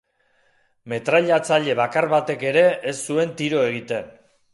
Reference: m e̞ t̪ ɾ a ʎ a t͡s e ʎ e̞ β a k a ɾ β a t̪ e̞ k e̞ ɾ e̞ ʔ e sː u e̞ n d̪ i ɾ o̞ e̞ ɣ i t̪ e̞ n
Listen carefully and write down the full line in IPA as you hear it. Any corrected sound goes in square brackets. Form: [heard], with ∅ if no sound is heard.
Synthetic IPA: m e̞ t̪ ɾ a ʎ a t͡s [a] ʎ e̞ β a k a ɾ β a t̪ e̞ k e̞ ɾ e̞ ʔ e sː u e̞ n [t̪] i ɾ o̞ e̞ ɣ i t̪ e̞ n